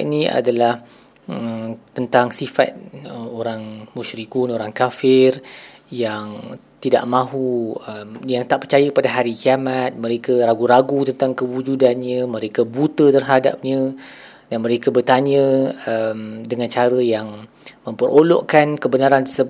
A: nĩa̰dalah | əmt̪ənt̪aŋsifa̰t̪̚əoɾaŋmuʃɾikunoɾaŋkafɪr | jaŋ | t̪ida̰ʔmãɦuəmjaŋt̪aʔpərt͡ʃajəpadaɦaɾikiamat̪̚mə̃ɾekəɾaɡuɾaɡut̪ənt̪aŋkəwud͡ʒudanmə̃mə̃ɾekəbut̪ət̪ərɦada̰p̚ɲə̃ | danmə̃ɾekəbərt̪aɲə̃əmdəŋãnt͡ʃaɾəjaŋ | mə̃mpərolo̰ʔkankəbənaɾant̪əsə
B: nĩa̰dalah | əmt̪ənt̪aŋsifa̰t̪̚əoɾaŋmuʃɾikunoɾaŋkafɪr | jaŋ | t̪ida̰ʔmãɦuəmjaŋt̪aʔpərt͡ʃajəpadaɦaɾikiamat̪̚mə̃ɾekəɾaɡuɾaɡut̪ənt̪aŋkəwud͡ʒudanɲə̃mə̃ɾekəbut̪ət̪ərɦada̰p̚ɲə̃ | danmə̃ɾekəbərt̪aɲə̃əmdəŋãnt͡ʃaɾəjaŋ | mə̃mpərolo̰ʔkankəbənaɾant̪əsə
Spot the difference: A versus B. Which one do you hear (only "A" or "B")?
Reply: B